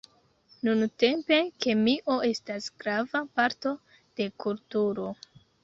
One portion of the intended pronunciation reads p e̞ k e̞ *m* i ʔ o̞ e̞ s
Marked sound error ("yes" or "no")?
no